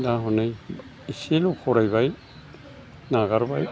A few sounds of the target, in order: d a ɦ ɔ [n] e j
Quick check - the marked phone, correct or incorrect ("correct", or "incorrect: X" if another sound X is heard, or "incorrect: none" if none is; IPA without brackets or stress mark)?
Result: correct